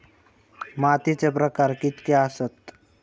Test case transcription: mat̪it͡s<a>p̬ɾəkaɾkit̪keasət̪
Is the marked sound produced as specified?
no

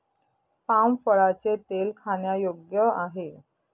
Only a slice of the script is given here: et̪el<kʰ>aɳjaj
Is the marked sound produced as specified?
yes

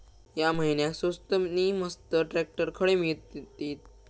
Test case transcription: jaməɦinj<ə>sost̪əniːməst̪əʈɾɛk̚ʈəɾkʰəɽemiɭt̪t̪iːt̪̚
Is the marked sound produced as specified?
no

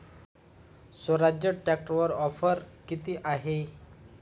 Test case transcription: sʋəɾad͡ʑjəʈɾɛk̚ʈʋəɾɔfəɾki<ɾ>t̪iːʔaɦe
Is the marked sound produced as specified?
no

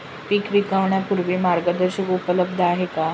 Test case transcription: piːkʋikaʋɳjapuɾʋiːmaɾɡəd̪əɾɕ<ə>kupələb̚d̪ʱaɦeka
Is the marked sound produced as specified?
yes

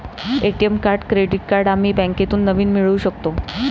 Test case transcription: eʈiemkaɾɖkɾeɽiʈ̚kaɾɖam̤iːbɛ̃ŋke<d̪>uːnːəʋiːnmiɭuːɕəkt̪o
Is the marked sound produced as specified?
no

